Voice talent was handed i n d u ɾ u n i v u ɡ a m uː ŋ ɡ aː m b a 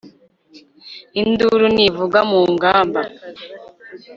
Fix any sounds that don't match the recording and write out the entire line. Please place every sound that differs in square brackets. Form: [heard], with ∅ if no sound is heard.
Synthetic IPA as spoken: i n d u ɾ u n i v u ɡ a m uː ŋ ɡ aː m b a

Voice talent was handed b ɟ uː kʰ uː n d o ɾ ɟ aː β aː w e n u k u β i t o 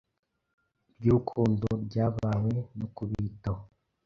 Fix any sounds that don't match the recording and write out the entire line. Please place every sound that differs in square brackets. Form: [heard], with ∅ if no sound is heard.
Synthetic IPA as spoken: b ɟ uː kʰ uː n d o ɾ ɟ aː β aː w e n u k u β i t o

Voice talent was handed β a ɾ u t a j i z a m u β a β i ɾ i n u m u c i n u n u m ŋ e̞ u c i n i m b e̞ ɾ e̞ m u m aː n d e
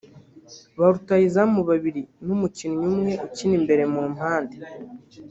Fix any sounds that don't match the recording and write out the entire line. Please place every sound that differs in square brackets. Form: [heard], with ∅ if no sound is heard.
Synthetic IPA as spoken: β a ɾ u t a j i z a m u β a β i ɾ i n u m u c i n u [ɲ] u m ŋ e̞ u c i n i m b e̞ ɾ e̞ m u m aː n d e

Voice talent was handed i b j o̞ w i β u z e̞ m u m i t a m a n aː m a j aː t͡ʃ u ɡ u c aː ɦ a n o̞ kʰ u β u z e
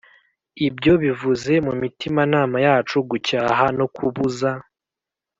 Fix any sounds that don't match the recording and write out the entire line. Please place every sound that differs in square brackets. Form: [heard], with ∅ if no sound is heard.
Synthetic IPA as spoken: i b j o̞ [β] i [v] u z e̞ m u m i t [i] m a n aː m a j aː t͡ʃ u ɡ u c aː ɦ a n o̞ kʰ u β u z [a]

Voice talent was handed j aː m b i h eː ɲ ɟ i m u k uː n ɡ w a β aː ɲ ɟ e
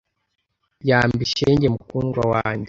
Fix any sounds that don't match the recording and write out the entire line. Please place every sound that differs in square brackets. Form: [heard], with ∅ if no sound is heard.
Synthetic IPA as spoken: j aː m b i [ʃ] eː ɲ ɟ [e] m u k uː n ɡ w a [w] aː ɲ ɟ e

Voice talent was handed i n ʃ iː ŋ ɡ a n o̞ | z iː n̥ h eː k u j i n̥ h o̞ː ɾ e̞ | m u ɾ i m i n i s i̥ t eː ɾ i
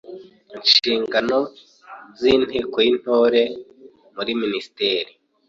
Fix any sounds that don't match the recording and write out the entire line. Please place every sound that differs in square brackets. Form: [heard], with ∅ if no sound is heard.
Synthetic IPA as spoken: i n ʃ iː ŋ ɡ a n o̞ | z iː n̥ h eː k [o] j i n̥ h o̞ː ɾ e̞ | m u ɾ i m i n i s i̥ t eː ɾ i

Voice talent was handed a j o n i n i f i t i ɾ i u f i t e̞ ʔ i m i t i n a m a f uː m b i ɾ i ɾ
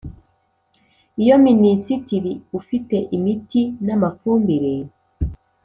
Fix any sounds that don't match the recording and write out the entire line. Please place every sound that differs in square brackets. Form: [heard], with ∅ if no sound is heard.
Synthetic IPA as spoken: [i] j o [m] i n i [s] i t i ɾ i u f i t e̞ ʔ i m i t i n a m a f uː m b i ɾ [e] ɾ

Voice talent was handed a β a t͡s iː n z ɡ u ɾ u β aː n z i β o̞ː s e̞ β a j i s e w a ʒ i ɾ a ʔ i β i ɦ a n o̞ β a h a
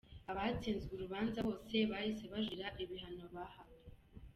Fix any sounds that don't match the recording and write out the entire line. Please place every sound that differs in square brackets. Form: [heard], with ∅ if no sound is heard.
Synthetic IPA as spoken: a β a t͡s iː n z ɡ u ɾ u β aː n z [a] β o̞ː s e̞ β a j i s e [β] a ʒ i ɾ a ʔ i β i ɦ a n o̞ β a h a

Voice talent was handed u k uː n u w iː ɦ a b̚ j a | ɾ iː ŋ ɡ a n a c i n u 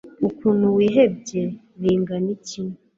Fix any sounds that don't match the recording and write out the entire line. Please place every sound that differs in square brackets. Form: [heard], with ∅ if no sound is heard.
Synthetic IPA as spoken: u k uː n u w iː ɦ [e] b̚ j [e] | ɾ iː ŋ ɡ a n [i] c i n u

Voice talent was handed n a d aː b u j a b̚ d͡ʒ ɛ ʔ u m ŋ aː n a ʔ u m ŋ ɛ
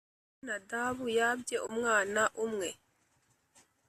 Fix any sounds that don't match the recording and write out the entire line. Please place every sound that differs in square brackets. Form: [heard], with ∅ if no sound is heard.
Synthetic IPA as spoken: n a d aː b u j a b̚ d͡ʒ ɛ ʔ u m ŋ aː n a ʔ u m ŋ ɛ

